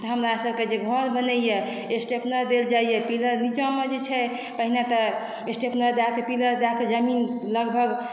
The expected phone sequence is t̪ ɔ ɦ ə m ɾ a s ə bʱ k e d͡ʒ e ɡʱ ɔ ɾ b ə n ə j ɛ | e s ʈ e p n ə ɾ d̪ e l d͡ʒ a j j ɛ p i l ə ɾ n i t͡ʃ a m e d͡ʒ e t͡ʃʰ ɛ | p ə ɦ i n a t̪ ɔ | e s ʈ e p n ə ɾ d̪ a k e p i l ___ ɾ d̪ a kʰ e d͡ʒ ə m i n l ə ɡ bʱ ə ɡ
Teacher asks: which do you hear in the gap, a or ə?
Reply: ə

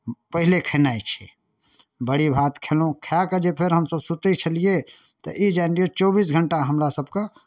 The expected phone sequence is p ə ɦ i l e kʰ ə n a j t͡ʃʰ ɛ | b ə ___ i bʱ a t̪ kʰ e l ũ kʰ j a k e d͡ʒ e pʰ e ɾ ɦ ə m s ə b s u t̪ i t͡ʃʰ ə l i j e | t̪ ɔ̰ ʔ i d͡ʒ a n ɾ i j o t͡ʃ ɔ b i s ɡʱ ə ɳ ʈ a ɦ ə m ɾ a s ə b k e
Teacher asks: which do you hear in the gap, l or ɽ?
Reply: ɽ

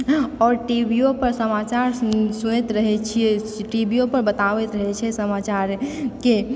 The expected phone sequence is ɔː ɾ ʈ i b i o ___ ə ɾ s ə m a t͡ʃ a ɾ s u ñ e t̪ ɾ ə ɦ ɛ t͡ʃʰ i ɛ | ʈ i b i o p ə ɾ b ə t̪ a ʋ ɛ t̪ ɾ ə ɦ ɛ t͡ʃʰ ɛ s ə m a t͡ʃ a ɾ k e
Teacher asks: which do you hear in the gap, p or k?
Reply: p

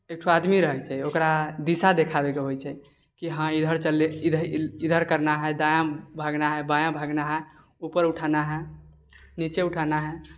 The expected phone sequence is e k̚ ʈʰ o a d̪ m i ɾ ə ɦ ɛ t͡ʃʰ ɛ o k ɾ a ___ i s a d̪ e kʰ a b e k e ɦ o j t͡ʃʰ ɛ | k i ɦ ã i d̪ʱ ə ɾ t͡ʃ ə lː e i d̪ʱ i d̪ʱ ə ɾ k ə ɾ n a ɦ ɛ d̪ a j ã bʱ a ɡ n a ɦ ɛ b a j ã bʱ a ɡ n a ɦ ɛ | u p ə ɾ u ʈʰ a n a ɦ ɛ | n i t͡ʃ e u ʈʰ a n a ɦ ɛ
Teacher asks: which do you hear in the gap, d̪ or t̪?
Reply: d̪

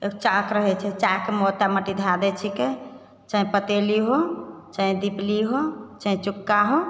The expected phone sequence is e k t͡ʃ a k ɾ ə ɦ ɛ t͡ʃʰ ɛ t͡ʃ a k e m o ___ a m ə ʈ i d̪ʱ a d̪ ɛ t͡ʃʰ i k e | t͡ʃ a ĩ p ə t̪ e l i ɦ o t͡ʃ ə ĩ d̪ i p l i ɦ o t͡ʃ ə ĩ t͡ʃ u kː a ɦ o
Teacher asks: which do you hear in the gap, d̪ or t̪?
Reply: t̪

